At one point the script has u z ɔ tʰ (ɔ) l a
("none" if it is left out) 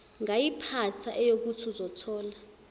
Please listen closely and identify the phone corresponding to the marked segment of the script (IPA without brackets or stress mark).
ɔː